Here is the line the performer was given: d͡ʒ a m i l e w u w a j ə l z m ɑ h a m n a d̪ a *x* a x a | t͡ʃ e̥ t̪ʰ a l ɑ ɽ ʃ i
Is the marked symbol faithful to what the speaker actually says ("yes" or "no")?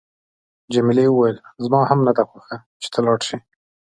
yes